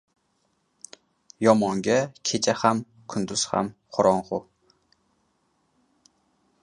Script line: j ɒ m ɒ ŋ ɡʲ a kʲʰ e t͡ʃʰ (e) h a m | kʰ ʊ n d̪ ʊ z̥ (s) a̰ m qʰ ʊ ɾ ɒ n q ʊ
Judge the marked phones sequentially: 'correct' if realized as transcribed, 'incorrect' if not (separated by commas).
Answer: incorrect, incorrect